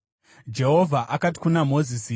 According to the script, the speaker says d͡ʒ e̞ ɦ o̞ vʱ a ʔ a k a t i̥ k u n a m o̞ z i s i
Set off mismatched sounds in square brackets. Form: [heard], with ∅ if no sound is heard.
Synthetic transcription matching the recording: d͡ʒ e̞ ɦ o̞ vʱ a ʔ a k a t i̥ k u n a m o̞ z i s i